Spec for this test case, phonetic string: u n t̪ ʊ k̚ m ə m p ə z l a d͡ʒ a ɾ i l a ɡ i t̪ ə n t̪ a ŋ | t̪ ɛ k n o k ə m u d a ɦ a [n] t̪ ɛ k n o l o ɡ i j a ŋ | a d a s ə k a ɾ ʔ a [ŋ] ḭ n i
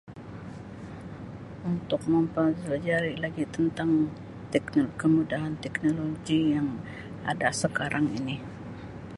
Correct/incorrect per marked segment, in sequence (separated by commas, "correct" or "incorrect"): correct, correct